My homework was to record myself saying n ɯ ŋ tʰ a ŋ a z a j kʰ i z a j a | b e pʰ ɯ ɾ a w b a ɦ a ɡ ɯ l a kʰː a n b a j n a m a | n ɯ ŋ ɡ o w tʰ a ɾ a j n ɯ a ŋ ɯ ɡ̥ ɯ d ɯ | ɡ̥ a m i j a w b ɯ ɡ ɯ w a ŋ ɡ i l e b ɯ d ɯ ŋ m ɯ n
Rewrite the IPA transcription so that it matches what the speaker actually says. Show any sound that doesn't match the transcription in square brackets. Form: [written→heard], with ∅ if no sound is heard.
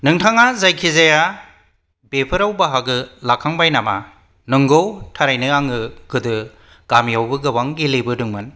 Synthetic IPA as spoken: n ɯ ŋ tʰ a ŋ a z a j kʰ i z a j a | b e pʰ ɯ ɾ a w b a ɦ a ɡ ɯ l a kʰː a [n→ŋ] b a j n a m a | n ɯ ŋ ɡ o w tʰ a ɾ a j n ɯ a ŋ ɯ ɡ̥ ɯ d ɯ | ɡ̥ a m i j a w b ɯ ɡ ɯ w a ŋ ɡ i l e b ɯ d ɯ ŋ m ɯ n

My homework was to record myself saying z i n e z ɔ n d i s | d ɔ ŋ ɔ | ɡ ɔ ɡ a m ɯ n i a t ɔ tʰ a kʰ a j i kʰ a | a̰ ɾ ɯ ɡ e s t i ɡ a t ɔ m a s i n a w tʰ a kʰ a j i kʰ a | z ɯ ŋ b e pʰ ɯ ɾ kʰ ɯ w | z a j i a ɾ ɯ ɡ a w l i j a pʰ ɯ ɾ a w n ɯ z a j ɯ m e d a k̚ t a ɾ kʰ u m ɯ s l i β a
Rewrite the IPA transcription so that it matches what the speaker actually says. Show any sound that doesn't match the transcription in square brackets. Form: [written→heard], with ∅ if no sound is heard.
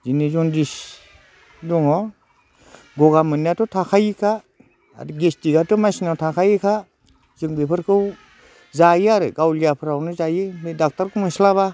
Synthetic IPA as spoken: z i n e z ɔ n d i s | d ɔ ŋ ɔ | ɡ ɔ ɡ a m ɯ n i a t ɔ tʰ a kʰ a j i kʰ a | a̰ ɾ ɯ ɡ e s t i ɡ a t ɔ m a s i n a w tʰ a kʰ a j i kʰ a | z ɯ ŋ b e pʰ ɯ ɾ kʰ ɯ w | z a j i a ɾ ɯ ɡ a w l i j a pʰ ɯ ɾ a w n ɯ z a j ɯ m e d a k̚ t a ɾ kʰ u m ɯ s l [i→a] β a

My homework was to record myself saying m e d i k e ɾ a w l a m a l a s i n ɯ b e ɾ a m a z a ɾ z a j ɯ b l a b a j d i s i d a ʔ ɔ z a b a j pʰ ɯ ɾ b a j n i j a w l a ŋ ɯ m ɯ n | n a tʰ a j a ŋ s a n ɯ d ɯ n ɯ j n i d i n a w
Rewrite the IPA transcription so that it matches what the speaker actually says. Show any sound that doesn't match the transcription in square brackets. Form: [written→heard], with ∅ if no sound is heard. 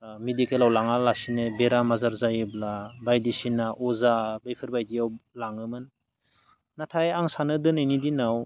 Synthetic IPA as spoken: m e d i k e [ɾ→l] a w l a [m→ŋ] a l a s i n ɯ b e ɾ a m a z a ɾ z a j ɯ b l a b a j d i s i [d→n] a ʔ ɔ z a b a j pʰ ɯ ɾ b a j [n→d] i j a w l a ŋ ɯ m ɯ n | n a tʰ a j a ŋ s a n ɯ d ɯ n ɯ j n i d i n a w

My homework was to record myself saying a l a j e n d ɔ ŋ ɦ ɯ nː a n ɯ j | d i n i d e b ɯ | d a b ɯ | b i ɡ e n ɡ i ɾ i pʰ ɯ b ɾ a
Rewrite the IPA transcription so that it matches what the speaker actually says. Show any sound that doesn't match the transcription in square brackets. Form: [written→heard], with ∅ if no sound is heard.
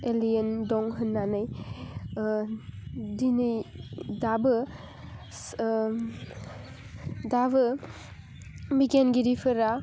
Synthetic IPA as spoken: [a→e] l [a→i] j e n d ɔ ŋ ɦ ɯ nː a n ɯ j | d i n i d [e→a] b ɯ | d a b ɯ | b i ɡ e n ɡ i ɾ i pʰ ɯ [b→∅] ɾ a

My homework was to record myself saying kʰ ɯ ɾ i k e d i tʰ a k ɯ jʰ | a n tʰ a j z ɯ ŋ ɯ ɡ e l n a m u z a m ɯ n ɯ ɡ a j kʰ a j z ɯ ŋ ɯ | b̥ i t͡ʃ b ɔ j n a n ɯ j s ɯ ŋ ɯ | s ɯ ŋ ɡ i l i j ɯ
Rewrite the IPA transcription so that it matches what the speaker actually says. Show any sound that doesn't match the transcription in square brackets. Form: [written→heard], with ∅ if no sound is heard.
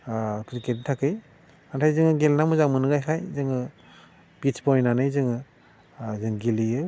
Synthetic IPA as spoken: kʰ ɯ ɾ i k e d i tʰ a k ɯ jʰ | a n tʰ a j z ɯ ŋ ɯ ɡ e l n a m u z a m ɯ n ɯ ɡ a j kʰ a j z ɯ ŋ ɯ | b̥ i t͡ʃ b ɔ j n a n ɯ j [s→z] ɯ ŋ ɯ | [s→z] ɯ ŋ ɡ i l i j ɯ

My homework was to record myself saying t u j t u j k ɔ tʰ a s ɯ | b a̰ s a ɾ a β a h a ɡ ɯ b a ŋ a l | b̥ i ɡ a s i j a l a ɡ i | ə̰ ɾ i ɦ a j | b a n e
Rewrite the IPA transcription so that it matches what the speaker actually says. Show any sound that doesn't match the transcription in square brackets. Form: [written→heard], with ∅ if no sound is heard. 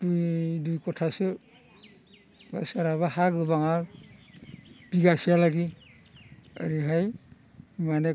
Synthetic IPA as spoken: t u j [t→d] u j k ɔ tʰ a s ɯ | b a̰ s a ɾ a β a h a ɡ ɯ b a ŋ a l | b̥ i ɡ a s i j a l a ɡ i | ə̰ ɾ i ɦ a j | [b→m] a n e

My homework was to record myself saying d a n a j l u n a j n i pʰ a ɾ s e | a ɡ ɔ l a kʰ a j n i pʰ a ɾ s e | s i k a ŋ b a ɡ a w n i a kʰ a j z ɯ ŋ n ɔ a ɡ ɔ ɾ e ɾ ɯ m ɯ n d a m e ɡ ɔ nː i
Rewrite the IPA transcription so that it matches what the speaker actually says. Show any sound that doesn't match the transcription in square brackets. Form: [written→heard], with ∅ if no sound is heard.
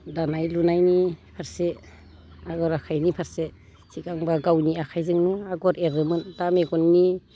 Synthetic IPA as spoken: d a n a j l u n a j n i pʰ a ɾ s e | a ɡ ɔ [l→ɾ] a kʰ a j n i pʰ a ɾ s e | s i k a ŋ b a ɡ a w n i a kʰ a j z ɯ ŋ n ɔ a ɡ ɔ ɾ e ɾ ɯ m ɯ n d a m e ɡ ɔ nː i

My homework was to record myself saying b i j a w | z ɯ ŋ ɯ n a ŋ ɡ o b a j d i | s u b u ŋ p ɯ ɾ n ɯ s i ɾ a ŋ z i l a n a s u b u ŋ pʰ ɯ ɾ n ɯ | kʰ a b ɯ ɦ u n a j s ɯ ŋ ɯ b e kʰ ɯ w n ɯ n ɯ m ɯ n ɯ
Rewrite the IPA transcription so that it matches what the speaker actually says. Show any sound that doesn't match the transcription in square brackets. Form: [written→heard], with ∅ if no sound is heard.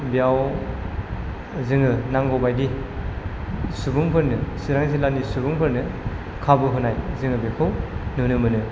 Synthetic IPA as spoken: b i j a w | z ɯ ŋ ɯ n a ŋ ɡ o b a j d i | s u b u ŋ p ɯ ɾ n ɯ s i ɾ a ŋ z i l a n [a→i] s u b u ŋ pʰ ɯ ɾ n ɯ | kʰ a b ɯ ɦ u n a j [s→z] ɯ ŋ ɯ b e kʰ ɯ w n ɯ n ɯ m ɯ n ɯ

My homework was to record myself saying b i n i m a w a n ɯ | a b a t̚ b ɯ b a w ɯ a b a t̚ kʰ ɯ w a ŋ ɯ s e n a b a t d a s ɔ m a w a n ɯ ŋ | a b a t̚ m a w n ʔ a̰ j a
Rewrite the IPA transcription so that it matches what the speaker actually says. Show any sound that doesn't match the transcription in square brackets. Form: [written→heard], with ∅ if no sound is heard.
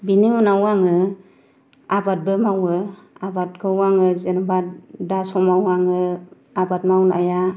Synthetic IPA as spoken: b i n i [m→n] a w a [n→ŋ] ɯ | a b a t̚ b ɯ [b→m] a w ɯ a b a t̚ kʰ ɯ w a ŋ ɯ [s→z] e n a b a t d a s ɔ m a w a [n→ŋ] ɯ [ŋ→∅] | a b a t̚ m a w n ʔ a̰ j a

